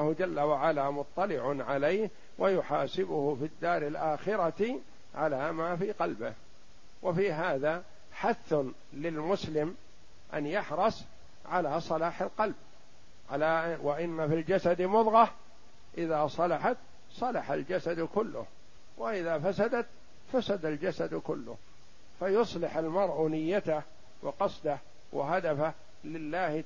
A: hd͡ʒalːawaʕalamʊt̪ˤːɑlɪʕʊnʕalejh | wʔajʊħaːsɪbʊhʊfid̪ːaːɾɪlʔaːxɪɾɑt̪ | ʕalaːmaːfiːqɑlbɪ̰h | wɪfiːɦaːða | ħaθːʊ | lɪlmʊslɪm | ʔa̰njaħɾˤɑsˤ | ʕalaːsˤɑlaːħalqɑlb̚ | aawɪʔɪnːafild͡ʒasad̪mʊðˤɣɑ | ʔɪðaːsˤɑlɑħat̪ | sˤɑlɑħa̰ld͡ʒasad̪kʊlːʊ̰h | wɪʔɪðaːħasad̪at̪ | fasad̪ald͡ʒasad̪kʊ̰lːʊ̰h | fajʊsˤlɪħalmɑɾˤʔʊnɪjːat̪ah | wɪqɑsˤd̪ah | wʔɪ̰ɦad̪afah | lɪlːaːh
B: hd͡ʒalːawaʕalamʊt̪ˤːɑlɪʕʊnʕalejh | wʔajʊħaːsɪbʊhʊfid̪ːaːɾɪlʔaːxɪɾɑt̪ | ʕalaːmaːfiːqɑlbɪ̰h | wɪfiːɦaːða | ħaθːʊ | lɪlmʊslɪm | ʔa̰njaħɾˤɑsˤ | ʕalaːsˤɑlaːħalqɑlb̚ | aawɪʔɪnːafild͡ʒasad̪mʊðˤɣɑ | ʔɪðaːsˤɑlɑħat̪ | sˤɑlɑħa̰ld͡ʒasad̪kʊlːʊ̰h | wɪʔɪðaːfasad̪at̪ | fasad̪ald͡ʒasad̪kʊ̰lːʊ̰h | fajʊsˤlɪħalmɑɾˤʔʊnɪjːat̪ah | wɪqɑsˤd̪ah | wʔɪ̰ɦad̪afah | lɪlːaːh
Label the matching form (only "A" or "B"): B